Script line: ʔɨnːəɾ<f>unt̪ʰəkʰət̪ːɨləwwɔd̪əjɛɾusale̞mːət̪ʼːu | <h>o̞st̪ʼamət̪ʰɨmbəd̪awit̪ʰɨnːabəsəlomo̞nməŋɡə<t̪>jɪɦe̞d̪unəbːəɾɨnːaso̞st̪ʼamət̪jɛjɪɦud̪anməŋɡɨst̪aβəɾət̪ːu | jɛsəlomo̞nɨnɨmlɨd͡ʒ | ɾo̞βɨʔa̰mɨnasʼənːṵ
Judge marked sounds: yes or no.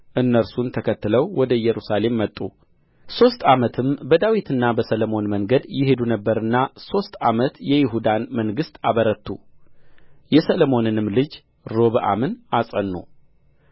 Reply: no, no, no

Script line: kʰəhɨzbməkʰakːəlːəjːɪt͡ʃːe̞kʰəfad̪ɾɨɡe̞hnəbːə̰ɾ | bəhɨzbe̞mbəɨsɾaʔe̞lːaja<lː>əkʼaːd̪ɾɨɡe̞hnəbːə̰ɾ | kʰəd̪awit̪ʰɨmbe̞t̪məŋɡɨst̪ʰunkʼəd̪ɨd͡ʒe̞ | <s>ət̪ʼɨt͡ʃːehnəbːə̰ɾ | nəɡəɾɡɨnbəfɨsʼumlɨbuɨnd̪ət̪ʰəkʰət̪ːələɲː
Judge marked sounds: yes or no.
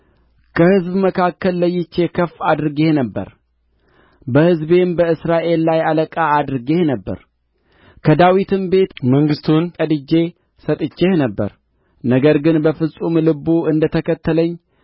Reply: no, yes

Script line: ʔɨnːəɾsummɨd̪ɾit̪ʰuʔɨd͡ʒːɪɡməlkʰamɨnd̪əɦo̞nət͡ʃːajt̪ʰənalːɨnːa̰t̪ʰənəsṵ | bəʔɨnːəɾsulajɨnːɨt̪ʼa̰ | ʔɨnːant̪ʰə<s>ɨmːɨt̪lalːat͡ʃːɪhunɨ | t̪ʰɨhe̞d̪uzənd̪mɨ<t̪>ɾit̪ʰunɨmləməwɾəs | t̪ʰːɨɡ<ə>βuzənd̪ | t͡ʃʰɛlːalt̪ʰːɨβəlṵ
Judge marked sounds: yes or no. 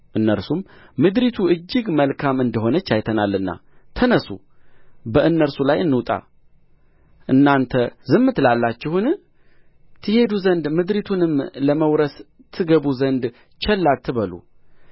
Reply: no, no, yes

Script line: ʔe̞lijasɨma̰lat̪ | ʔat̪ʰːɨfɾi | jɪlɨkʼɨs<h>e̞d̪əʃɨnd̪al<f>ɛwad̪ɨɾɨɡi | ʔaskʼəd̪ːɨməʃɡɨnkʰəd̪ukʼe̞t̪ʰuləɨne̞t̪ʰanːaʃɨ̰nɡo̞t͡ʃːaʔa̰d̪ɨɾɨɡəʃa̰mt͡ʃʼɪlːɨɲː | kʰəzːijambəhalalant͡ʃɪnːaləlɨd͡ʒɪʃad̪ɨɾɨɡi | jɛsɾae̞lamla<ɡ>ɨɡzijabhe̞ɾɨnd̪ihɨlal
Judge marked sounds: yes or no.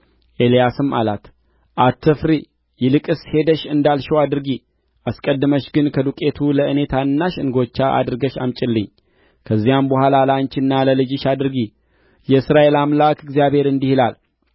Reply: yes, no, no

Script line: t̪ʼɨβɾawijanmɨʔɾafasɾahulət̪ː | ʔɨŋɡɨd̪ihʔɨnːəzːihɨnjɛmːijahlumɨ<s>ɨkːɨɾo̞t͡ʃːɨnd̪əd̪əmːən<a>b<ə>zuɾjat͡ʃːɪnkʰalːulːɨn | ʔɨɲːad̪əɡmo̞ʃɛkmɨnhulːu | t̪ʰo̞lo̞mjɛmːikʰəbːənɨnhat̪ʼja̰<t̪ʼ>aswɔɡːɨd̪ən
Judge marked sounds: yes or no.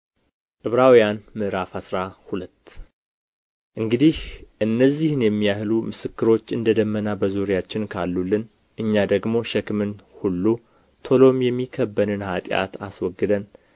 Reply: yes, yes, yes, no

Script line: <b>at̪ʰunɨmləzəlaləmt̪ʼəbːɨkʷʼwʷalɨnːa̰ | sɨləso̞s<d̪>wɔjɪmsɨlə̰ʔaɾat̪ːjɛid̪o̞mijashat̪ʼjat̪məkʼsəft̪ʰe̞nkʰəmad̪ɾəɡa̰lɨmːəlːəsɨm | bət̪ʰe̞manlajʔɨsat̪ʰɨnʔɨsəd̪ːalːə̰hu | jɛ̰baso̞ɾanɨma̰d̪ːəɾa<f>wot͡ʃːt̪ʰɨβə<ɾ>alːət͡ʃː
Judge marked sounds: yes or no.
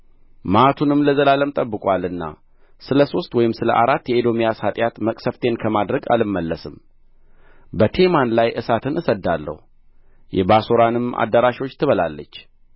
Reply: no, no, no, no

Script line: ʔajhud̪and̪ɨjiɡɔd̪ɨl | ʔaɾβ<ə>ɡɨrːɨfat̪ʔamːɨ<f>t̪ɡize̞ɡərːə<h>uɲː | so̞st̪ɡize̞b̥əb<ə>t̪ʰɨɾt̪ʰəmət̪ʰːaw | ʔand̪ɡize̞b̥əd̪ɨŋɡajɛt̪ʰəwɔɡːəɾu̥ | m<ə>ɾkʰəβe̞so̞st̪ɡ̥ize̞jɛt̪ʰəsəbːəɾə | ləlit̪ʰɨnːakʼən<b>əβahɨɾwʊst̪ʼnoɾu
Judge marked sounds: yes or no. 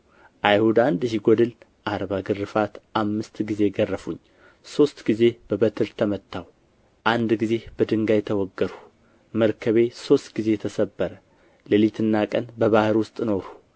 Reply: no, no, no, yes, yes, yes

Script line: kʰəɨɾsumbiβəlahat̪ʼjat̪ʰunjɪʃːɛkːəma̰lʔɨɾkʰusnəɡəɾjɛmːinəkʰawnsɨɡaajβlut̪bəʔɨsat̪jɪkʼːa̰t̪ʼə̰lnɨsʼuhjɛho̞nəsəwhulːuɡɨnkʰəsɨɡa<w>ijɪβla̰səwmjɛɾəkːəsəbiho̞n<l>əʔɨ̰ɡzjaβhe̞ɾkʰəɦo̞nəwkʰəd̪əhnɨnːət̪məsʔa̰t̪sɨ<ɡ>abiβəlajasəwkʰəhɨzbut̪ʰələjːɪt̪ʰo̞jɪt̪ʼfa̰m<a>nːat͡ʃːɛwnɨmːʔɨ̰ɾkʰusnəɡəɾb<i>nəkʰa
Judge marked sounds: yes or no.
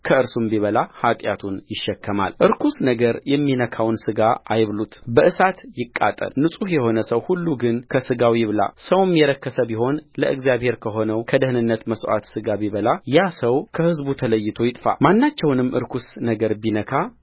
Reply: yes, yes, yes, yes, yes

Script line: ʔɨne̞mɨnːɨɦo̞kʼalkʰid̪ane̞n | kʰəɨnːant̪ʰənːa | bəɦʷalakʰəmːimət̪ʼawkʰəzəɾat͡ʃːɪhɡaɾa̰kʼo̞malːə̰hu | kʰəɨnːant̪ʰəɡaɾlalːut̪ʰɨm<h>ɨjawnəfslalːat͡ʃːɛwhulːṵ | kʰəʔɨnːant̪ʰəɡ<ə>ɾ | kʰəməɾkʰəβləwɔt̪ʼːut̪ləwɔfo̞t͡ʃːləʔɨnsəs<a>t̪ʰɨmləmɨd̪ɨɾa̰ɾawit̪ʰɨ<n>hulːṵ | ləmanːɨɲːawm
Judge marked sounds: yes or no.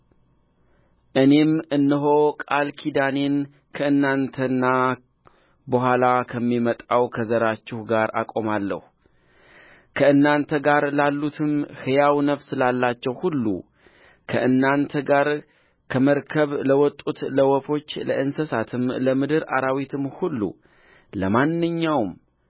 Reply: yes, no, yes, no

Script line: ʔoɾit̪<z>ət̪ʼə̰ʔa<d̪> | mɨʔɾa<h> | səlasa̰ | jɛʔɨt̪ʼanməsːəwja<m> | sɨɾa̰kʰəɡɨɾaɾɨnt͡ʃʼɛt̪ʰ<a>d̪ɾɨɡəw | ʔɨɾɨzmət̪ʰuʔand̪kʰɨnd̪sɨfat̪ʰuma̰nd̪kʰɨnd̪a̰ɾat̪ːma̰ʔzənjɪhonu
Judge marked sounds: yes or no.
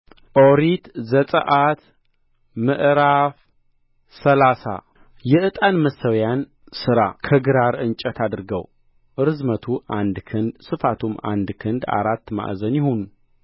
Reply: yes, no, no, no, yes

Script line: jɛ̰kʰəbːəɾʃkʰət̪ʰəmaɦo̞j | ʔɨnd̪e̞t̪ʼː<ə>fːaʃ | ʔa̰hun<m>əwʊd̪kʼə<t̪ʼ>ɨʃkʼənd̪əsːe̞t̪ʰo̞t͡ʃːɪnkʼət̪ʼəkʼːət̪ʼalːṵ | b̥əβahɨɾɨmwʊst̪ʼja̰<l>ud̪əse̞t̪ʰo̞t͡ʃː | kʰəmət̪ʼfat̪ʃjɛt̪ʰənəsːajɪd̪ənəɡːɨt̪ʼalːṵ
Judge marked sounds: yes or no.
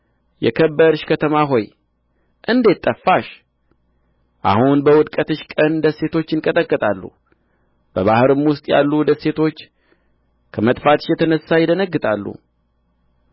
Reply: yes, no, no, no

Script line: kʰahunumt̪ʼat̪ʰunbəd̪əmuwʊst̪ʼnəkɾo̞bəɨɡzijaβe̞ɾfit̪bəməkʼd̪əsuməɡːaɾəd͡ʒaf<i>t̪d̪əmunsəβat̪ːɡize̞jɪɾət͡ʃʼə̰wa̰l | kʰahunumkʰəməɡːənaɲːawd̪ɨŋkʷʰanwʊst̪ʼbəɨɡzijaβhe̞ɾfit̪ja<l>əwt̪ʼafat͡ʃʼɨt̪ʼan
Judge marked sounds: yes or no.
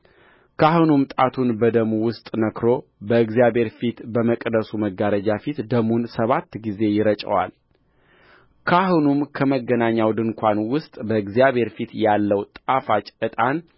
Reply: yes, no

